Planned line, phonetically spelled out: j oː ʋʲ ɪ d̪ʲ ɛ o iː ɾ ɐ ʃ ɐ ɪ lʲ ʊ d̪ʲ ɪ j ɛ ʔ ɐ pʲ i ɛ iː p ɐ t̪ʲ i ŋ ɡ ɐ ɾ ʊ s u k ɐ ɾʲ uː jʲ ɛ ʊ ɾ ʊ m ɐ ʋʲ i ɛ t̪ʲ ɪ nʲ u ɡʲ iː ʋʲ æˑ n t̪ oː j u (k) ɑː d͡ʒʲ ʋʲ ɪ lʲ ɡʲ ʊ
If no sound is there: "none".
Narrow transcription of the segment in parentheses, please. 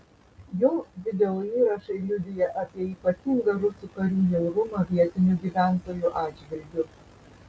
ʔ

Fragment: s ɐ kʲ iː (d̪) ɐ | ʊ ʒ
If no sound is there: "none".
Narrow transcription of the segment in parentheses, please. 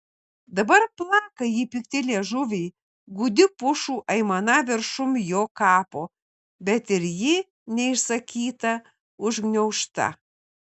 t̪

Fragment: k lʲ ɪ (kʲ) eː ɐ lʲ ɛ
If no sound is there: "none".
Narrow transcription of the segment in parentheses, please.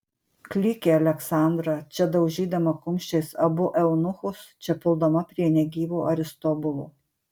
kʲ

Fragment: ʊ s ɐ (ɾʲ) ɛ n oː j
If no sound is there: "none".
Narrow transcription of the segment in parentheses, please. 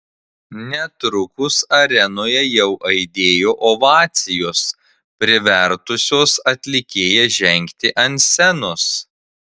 ɾʲ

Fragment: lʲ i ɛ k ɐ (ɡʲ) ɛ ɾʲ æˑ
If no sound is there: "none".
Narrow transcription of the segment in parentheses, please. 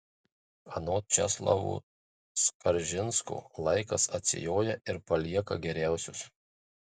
ɡʲ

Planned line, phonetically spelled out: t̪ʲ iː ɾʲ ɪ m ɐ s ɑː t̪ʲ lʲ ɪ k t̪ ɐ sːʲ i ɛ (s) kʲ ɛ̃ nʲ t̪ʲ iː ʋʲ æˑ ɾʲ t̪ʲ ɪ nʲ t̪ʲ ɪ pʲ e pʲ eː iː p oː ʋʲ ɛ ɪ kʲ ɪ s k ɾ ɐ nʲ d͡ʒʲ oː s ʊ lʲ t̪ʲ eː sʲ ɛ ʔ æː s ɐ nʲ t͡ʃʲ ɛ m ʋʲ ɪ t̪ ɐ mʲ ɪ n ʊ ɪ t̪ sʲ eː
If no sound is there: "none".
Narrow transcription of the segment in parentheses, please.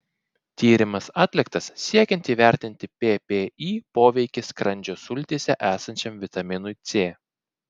none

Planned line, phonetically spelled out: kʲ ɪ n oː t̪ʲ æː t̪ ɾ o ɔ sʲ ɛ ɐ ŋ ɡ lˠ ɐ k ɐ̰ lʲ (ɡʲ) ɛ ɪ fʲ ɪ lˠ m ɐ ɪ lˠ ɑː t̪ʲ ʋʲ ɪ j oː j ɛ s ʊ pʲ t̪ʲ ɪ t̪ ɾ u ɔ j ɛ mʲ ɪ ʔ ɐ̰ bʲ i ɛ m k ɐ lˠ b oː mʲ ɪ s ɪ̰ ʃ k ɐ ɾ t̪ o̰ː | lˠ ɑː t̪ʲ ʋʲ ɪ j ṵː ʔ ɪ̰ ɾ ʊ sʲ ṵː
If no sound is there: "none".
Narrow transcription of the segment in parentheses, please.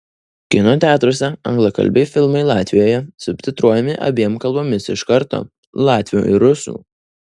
bʲ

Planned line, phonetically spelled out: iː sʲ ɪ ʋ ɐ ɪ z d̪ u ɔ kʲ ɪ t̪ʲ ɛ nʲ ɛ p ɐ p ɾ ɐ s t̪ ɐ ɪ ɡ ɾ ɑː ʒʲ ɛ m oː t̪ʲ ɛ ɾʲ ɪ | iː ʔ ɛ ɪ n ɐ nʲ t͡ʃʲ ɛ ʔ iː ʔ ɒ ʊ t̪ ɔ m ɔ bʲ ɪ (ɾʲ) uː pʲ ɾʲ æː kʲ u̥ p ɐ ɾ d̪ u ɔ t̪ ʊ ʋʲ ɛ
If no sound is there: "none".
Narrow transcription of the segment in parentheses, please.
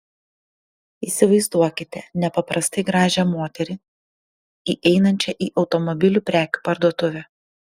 lʲ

